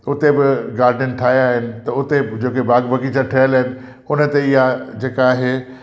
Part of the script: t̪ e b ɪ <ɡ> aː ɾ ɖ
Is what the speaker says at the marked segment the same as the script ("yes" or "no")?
yes